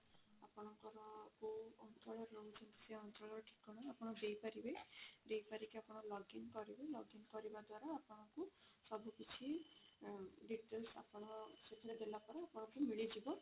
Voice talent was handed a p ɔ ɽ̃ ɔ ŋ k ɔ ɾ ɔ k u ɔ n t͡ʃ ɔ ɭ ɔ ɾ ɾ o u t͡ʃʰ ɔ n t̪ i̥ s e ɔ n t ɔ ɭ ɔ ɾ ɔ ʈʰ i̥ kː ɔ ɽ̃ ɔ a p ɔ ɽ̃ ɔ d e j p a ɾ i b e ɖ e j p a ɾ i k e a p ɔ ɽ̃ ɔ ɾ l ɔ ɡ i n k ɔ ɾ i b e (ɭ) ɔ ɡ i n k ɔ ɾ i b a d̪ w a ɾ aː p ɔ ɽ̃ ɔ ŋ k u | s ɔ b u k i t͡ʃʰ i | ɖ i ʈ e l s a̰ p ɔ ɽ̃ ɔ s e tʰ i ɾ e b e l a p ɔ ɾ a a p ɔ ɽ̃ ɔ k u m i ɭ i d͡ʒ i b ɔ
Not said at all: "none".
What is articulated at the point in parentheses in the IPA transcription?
l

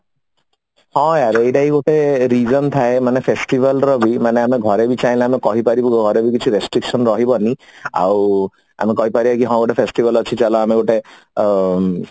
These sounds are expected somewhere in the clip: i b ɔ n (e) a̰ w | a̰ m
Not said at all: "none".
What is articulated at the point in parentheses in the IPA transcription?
i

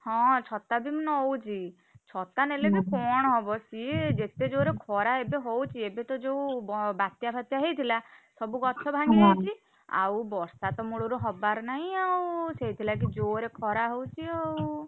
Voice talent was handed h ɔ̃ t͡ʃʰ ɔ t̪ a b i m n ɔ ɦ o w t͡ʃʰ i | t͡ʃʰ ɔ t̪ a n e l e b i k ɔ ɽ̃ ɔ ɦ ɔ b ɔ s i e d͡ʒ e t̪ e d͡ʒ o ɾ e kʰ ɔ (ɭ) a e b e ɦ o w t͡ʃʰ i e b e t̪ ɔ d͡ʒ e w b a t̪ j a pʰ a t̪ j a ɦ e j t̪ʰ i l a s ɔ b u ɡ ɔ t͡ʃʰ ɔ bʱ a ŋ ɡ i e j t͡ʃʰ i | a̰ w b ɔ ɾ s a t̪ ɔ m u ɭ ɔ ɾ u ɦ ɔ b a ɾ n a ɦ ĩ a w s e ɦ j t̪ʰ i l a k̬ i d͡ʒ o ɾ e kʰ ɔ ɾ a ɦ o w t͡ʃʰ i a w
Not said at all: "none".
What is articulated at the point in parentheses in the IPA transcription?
ɾ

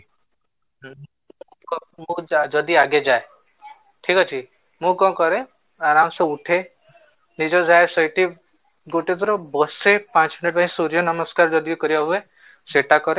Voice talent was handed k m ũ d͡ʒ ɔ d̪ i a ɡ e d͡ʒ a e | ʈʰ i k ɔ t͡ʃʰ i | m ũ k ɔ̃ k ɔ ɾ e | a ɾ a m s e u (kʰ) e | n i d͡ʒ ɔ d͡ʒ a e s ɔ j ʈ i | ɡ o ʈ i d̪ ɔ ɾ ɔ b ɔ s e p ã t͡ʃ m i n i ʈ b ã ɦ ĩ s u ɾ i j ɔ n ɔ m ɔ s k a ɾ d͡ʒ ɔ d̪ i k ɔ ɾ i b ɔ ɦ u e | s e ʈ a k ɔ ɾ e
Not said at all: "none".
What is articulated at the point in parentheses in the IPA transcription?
ʈʰ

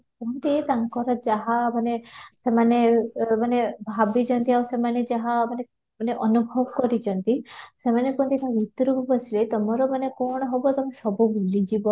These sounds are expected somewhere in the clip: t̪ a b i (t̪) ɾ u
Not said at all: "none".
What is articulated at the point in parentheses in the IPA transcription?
t̪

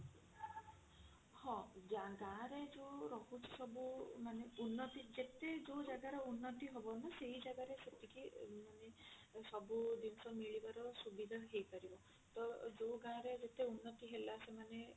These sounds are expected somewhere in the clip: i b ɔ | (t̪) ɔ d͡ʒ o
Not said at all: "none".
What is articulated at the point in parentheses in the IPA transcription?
t̪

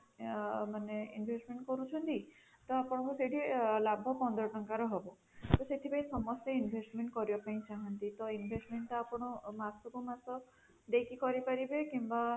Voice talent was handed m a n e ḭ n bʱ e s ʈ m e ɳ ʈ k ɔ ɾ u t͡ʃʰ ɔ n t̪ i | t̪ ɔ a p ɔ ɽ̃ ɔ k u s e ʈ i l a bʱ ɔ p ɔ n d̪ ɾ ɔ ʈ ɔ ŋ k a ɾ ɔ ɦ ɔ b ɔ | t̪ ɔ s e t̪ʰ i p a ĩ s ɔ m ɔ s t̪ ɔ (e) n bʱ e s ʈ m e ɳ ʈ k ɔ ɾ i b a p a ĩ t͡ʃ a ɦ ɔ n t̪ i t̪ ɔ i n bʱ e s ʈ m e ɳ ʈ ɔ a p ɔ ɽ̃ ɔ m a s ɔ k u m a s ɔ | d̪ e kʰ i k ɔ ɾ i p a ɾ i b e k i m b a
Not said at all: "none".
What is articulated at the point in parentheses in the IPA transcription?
i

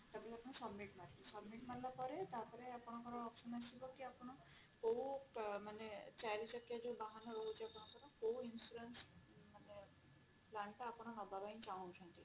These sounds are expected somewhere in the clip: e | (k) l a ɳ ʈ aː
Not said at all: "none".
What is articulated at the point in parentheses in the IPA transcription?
p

